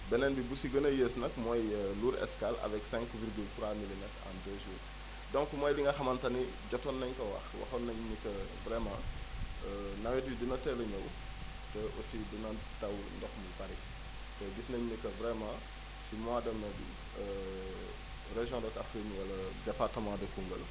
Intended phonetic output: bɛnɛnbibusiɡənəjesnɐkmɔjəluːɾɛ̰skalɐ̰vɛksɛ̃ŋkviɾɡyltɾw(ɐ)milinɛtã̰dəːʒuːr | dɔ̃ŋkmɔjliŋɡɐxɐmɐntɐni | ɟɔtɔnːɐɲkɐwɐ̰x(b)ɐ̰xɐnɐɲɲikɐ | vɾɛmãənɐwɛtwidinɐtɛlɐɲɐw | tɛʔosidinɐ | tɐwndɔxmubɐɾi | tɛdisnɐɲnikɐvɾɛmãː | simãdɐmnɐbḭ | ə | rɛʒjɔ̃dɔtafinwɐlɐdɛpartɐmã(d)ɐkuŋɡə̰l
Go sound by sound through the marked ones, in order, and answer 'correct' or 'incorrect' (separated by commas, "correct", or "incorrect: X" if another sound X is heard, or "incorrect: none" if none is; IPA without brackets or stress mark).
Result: incorrect: a, incorrect: w, correct